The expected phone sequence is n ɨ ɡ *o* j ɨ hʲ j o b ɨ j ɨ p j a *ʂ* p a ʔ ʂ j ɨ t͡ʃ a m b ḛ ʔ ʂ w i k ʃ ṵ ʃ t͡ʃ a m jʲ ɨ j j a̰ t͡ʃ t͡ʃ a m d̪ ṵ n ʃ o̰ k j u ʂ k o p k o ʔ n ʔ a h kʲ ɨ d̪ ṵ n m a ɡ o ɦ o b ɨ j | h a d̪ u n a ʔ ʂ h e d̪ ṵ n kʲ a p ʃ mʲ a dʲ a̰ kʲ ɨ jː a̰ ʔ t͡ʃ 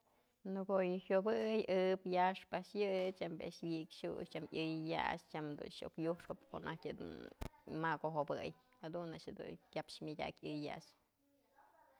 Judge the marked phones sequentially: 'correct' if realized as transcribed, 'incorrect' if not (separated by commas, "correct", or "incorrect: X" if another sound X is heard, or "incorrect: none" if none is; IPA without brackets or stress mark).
correct, correct